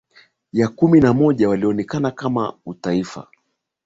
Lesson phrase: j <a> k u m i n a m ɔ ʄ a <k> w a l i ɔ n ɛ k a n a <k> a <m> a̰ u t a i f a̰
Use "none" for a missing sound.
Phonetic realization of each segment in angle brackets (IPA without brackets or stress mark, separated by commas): a, none, k, m